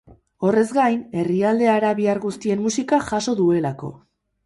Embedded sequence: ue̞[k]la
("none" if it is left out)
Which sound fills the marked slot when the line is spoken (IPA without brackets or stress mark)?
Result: none